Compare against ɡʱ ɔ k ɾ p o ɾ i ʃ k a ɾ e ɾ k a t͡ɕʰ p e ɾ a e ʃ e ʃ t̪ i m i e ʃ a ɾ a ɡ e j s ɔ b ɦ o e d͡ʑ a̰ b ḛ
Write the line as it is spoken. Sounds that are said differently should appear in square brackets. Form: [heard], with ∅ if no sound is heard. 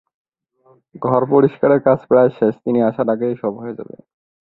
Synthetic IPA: ɡʱ ɔ [∅] ɾ p o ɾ i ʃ k a ɾ e ɾ k a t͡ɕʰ p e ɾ a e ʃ e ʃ t̪ i [n] i [a] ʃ a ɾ a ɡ e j [ʃ] ɔ b ɦ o e d͡ʑ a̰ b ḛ